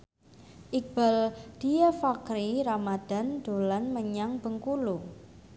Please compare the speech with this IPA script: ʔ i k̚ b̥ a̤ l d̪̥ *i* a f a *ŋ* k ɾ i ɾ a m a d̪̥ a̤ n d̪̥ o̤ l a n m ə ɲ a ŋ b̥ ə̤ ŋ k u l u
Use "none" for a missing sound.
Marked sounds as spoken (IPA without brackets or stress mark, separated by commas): i, none